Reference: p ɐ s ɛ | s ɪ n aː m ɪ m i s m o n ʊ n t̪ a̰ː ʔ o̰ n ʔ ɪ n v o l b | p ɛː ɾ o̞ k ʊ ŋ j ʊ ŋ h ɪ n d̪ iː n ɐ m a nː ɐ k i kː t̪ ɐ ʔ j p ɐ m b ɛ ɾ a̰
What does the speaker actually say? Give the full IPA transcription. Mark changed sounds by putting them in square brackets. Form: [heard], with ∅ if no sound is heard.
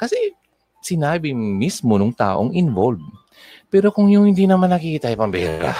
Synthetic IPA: [k] ɐ s ɛ | s ɪ n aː [b] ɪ m i s m o n ʊ [ŋ] t̪ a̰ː ʔ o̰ [ŋ] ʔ ɪ n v o l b | p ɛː ɾ o̞ k ʊ ŋ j ʊ ŋ h ɪ n d̪ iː n ɐ m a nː ɐ k i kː t̪ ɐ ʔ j p ɐ m b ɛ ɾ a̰